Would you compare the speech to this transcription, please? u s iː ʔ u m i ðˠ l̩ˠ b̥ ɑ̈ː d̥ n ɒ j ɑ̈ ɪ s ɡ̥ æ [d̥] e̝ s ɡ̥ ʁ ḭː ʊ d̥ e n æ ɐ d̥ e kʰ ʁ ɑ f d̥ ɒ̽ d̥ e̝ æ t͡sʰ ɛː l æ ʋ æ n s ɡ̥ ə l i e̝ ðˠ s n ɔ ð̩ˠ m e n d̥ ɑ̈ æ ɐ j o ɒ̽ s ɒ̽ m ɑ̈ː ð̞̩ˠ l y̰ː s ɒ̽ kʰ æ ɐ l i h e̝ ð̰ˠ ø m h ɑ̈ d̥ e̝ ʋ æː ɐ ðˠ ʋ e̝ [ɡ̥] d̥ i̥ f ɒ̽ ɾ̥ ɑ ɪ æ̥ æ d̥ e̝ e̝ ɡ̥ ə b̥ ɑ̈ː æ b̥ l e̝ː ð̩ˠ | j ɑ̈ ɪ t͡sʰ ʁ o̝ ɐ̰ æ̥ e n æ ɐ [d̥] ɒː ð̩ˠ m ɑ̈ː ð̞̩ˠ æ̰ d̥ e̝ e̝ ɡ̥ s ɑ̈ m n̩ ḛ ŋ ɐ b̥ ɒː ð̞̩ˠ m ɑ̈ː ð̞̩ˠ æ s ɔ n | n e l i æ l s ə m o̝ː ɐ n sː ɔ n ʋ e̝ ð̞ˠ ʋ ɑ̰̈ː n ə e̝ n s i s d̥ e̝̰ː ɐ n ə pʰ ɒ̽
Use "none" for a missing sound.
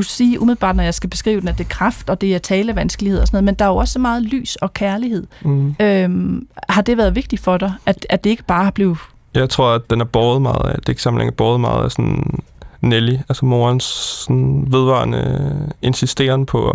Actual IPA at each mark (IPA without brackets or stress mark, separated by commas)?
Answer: b̥, ɡ̥, b̥